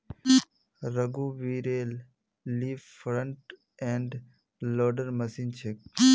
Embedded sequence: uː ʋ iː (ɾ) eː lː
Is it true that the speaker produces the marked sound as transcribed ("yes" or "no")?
yes